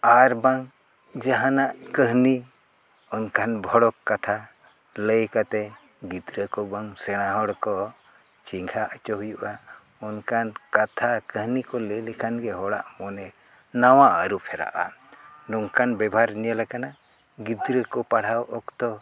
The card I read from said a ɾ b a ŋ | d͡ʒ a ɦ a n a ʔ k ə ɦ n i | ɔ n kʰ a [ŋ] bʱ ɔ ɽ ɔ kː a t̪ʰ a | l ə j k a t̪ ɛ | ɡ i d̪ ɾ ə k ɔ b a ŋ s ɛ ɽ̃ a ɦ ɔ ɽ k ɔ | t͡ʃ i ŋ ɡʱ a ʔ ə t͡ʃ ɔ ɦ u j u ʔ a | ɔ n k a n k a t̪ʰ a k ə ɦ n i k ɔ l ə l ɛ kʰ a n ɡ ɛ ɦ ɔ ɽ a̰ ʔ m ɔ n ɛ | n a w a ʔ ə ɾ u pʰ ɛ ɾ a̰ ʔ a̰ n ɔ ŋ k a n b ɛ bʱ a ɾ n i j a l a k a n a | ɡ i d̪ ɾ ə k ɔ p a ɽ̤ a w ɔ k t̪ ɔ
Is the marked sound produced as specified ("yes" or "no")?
no